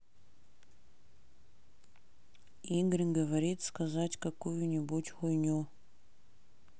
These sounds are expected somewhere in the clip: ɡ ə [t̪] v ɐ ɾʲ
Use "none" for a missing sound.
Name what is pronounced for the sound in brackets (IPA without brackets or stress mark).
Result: none